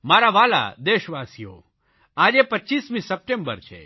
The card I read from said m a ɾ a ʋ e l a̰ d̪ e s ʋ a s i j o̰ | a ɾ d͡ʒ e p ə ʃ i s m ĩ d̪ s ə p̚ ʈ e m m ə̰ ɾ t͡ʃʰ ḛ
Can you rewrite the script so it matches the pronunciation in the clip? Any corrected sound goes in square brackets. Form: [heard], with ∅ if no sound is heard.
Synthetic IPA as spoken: m a ɾ a ʋ [a] l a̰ d̪ e [ʃ] ʋ a s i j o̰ | a [∅] d͡ʒ e p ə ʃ i s m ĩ [∅] s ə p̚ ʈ e m [b] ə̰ ɾ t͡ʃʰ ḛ